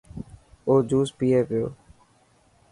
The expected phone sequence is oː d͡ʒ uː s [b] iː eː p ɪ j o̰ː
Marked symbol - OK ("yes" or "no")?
no